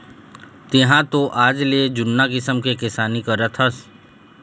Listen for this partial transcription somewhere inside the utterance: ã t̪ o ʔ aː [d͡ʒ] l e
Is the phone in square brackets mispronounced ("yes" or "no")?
no